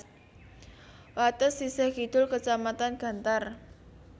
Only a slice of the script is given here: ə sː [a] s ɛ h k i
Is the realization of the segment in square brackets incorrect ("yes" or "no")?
yes